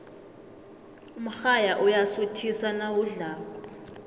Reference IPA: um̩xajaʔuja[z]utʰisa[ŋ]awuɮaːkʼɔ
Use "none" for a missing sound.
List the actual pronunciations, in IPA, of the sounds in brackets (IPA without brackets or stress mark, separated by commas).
s, n